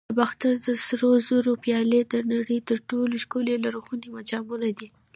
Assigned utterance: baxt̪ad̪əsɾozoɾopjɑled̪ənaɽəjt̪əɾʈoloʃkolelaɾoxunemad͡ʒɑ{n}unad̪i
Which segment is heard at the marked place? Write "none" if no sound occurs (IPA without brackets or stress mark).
m